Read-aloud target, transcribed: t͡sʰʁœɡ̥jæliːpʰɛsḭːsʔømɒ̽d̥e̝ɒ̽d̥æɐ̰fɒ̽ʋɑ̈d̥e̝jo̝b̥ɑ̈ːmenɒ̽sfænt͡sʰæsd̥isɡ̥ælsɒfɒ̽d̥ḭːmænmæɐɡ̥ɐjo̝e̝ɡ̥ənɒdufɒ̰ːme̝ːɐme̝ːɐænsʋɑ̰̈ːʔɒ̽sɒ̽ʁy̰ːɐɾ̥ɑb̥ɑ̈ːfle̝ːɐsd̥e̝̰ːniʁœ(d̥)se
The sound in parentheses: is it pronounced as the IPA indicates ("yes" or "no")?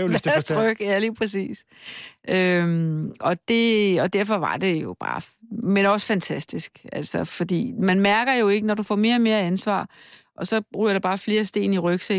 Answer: no